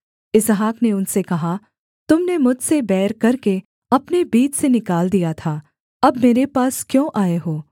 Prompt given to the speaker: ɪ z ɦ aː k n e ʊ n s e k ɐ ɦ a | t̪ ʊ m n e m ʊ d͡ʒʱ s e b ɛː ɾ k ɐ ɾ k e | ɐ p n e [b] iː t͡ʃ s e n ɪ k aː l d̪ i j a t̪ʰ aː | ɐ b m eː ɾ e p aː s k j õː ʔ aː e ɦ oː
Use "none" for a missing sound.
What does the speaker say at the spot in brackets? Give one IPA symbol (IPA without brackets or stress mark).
b